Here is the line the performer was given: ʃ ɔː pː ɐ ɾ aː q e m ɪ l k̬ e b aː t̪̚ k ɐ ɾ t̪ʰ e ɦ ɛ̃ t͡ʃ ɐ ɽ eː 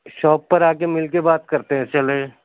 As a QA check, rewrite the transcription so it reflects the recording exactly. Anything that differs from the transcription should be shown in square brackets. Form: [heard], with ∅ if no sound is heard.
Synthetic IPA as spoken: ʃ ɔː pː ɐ ɾ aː [k] e m ɪ l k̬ e b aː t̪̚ k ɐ ɾ [t̪] e ɦ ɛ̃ t͡ʃ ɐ [l] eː